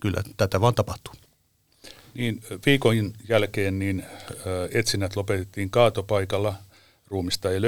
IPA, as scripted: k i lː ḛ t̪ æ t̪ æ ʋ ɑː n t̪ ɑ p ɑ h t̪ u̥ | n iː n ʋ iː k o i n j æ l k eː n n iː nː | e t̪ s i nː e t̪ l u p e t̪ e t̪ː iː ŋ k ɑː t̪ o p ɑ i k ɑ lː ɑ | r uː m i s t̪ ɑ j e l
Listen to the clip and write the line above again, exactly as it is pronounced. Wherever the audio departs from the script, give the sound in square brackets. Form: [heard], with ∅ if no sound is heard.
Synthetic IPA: k [y] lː [æ̰] t̪ æ t̪ æ ʋ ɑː n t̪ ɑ p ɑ h t̪ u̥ | n iː n ʋ iː k o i n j æ l k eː n n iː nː | e t̪ s i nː [æ] t̪ l [o] p e t̪ e t̪ː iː ŋ k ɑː t̪ o p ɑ i k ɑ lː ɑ | r uː m i s t̪ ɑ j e l